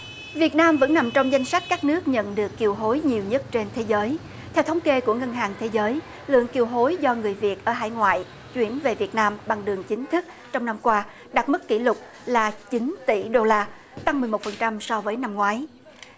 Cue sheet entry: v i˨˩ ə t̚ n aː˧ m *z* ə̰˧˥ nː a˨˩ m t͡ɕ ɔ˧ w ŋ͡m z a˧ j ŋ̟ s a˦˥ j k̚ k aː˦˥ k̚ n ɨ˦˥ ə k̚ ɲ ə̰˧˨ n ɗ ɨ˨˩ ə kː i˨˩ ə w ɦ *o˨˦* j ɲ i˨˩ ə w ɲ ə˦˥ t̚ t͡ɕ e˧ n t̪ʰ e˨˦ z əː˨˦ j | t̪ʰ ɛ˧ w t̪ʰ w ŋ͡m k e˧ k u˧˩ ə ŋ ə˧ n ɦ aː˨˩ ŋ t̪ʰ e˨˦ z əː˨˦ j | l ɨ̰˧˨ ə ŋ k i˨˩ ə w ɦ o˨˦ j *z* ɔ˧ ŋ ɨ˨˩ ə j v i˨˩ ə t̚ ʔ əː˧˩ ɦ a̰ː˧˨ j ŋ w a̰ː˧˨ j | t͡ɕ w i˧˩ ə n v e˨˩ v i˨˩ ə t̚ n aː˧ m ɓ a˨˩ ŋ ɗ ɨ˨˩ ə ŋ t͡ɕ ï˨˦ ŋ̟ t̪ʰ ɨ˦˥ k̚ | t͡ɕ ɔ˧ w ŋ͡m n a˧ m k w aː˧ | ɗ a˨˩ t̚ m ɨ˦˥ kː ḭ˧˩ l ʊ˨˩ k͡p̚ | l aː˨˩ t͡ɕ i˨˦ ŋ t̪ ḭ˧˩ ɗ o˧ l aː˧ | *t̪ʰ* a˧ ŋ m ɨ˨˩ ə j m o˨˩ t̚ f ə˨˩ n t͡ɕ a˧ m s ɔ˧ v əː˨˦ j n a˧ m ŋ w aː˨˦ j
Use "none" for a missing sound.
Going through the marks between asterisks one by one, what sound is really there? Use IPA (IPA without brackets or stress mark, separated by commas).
v, o˨˦, z, t̪